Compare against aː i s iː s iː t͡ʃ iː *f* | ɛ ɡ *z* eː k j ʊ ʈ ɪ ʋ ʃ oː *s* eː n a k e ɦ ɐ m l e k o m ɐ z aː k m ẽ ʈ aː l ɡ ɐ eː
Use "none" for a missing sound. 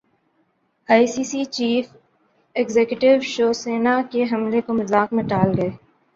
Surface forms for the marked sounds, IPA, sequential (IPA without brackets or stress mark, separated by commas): f, z, s